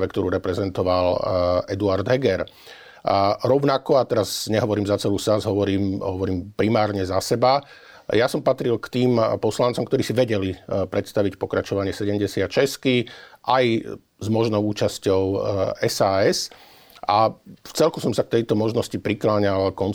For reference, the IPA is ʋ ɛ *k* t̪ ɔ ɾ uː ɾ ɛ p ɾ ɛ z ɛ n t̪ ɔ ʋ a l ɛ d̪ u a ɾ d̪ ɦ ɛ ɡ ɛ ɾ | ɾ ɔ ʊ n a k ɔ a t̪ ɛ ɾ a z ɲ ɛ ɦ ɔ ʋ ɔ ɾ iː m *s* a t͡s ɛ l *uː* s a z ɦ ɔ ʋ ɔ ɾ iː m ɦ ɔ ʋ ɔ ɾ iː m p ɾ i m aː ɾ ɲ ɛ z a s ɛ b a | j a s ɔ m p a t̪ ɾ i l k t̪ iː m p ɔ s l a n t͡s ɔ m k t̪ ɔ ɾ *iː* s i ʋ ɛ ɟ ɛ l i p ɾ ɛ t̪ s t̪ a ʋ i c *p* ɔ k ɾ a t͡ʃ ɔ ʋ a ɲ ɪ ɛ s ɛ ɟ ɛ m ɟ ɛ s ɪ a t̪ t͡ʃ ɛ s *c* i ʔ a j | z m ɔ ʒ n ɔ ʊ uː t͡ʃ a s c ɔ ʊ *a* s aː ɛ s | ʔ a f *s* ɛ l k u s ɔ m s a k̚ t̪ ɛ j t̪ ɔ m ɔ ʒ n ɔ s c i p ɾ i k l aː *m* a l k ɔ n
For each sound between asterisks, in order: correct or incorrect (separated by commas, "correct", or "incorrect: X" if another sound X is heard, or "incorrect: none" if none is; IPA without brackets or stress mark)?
correct, incorrect: z, correct, correct, correct, incorrect: k, incorrect: ɛ, incorrect: t͡s, incorrect: ɲ